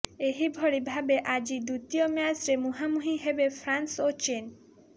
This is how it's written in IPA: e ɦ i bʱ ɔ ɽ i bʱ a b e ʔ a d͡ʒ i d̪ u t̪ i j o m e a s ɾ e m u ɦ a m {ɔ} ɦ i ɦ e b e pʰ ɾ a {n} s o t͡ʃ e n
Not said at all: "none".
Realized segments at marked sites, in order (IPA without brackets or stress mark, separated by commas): u, n